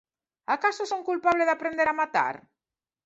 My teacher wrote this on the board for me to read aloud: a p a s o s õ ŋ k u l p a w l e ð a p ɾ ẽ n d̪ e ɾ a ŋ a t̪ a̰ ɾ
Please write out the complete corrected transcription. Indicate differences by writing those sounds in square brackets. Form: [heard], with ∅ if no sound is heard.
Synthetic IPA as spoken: a [k] a s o s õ ŋ k u l p a [β] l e ð a p ɾ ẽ n d̪ e ɾ a [m] a t̪ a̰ ɾ

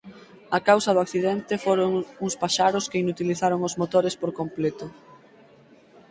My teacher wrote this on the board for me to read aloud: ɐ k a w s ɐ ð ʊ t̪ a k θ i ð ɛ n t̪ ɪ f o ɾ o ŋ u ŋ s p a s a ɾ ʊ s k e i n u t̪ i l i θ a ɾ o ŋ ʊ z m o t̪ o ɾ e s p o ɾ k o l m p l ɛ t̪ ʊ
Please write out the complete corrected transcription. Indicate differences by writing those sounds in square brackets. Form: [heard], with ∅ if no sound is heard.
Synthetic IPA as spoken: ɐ k a w s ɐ ð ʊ [∅] a k θ i ð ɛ n t̪ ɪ f o ɾ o ŋ u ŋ s p a [ʃ] a ɾ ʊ s k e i n u t̪ i l i θ a ɾ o ŋ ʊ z m o t̪ o ɾ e s p o ɾ k o [∅] m p l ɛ t̪ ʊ

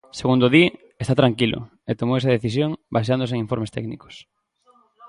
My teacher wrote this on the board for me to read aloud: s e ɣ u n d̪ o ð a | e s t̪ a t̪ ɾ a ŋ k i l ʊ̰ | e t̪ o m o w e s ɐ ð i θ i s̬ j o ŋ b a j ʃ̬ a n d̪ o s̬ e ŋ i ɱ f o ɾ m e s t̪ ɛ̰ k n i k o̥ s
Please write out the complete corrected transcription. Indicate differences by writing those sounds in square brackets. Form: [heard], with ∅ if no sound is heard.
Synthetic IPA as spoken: s e ɣ u n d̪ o ð [i] | e s t̪ a t̪ ɾ a ŋ k i l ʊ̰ | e t̪ o m o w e s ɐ ð [e] θ i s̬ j o ŋ b a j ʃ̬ a n d̪ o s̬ e ŋ i ɱ f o ɾ m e s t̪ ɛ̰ k n i k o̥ s

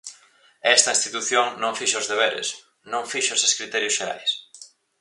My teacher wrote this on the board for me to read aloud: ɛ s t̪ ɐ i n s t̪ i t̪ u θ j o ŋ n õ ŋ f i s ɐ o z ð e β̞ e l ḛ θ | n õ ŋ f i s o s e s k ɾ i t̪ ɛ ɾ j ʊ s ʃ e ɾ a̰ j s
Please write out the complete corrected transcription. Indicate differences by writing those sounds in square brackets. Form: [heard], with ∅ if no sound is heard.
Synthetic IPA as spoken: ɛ s t̪ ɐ i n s t̪ i t̪ u θ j o ŋ n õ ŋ f i [ʃ] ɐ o z ð e β̞ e [ɾ] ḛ [s] | n õ ŋ f i [ʃ] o s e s k ɾ i t̪ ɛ ɾ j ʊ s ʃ e ɾ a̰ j s

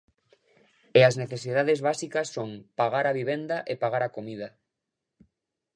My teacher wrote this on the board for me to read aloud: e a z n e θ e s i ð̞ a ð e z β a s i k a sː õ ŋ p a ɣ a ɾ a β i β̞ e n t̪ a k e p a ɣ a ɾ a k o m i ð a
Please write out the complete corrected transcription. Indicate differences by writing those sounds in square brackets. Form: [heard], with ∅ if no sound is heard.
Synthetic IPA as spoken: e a z n e θ e s i ð̞ a ð e z β a s i k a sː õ ŋ p a ɣ a ɾ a β i β̞ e n [d̪] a [ʔ] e p a ɣ a ɾ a k o m i ð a

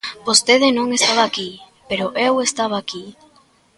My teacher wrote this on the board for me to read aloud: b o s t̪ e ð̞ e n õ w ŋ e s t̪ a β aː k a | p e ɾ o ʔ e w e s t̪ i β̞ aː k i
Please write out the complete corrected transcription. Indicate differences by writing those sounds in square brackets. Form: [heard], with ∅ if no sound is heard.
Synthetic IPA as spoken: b o s t̪ e ð̞ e n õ [∅] ŋ e s t̪ a β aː k [i] | p e ɾ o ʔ e w e s t̪ [a] β̞ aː k i

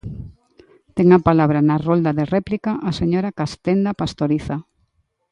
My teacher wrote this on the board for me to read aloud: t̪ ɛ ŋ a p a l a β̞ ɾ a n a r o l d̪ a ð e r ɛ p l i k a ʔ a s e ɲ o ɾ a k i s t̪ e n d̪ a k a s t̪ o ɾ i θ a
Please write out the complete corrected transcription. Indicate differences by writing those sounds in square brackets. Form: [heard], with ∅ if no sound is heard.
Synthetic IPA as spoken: t̪ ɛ ŋ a p a l a β̞ ɾ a n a r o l d̪ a ð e r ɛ p l i k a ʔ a s e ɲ o ɾ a k [a] s t̪ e n d̪ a [p] a s t̪ o ɾ i θ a

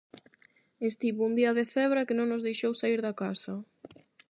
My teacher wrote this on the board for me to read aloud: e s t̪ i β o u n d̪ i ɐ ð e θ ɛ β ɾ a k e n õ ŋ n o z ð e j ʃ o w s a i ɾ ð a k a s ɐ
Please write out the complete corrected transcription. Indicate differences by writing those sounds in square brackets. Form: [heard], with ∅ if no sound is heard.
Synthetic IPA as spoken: e s t̪ i β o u n d̪ i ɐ ð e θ ɛ β ɾ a k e n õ ŋ n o z ð e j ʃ o w s a i ɾ ð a k a s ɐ

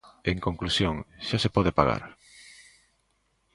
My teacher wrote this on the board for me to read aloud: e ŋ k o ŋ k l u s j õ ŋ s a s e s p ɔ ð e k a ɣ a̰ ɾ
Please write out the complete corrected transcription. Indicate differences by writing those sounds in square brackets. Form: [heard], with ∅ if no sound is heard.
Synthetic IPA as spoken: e ŋ k o ŋ k l u s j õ ŋ [ʃ] a s e [∅] p ɔ ð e [p] a ɣ a̰ ɾ

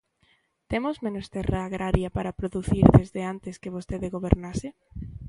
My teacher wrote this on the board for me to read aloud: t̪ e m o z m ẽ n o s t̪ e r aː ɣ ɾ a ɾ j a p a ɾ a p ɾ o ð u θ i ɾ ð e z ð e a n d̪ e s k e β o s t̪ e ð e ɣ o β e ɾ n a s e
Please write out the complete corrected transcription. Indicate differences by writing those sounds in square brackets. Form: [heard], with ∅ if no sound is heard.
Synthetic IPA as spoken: t̪ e m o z m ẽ n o s t̪ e r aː ɣ ɾ a ɾ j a p a ɾ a p ɾ o ð u θ i ɾ ð e z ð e a n [t̪] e s k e β o s t̪ e ð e ɣ o β e ɾ n a s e

